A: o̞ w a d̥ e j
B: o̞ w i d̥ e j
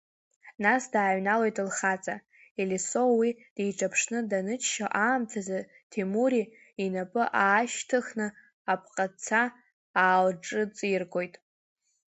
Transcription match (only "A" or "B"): B